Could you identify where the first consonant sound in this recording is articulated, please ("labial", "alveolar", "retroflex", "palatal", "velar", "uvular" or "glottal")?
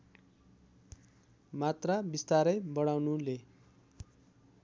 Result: labial